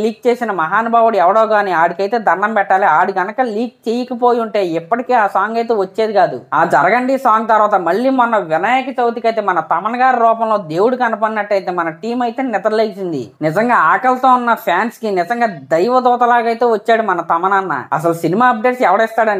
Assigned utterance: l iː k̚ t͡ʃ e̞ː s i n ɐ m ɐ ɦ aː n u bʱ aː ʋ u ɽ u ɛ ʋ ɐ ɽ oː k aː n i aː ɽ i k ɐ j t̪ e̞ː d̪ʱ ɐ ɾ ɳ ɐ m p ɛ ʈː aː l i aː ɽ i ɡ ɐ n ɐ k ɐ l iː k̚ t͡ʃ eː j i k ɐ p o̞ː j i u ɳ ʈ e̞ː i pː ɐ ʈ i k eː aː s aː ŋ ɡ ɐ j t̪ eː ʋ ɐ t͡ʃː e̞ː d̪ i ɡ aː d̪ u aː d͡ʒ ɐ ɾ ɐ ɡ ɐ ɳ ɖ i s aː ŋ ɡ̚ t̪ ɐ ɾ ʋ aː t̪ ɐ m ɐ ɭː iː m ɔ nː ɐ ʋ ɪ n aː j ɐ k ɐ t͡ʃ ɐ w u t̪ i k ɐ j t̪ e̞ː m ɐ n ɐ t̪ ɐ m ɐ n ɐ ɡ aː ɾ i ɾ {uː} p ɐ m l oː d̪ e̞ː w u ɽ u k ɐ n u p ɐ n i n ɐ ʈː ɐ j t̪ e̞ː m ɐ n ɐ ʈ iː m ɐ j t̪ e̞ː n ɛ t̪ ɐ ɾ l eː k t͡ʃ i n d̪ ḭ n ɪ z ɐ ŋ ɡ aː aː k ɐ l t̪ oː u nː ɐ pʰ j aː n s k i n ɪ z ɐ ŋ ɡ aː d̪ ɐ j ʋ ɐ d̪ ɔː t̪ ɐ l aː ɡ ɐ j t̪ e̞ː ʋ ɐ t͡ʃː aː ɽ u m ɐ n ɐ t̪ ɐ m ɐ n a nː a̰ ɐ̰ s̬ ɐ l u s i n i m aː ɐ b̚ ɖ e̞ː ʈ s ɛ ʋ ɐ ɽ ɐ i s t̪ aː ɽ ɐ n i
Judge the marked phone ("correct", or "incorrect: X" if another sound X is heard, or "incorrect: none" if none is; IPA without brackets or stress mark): incorrect: ɔː